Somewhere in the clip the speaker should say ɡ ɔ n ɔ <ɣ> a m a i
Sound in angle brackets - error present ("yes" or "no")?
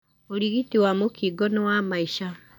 yes